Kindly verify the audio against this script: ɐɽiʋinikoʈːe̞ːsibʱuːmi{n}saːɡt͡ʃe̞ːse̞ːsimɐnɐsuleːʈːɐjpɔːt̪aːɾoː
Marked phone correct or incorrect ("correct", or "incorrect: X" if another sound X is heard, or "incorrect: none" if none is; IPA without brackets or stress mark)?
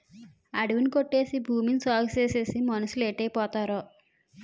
correct